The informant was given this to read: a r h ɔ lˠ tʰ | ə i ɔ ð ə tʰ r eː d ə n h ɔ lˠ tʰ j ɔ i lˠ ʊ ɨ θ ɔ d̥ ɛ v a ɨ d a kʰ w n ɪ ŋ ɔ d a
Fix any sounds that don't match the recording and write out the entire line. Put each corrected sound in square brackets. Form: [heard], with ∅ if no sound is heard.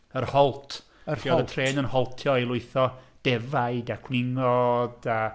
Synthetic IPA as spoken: [ə] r h ɔ lˠ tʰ | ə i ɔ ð ə tʰ r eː [n] ə n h ɔ lˠ tʰ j ɔ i lˠ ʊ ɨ θ ɔ d̥ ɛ v a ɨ d a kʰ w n ɪ ŋ ɔ d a